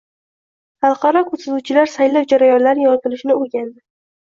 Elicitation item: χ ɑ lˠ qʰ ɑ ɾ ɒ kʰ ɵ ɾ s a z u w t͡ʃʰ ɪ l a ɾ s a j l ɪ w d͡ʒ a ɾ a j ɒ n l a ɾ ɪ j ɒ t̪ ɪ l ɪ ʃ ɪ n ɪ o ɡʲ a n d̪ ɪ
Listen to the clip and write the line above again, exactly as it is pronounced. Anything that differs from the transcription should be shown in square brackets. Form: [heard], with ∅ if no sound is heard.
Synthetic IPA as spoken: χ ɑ lˠ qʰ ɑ ɾ ɒ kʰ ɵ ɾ s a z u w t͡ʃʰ ɪ l a ɾ s a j l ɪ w d͡ʒ a ɾ a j ɒ n l a ɾ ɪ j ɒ t̪ ɪ l ɪ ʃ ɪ n ɪ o ɡʲ a n d̪ ɪ